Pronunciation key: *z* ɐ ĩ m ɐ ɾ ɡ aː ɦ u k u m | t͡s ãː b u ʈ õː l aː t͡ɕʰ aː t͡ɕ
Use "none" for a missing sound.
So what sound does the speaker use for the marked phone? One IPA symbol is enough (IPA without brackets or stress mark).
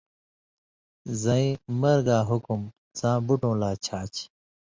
z